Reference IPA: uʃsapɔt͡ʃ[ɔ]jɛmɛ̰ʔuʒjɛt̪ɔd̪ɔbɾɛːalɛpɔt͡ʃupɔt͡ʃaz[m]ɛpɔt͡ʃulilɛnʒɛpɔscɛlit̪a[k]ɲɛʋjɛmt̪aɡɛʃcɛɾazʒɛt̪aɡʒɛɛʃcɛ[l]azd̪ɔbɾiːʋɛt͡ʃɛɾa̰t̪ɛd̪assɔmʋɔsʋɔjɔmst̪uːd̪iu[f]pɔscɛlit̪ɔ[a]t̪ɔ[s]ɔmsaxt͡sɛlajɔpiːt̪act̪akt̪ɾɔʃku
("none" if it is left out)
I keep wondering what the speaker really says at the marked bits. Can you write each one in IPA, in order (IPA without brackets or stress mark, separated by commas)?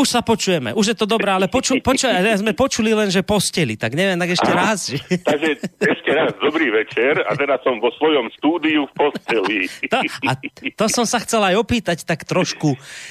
u, m, ɡ, ɾ, f, a, s